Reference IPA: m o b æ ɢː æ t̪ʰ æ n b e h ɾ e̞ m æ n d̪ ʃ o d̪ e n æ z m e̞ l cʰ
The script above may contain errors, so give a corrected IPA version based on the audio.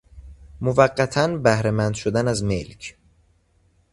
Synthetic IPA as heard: m o v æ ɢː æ t̪ʰ æ n b æ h ɾ e̞ m æ n d̪ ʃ o d̪ æ n æ z m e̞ l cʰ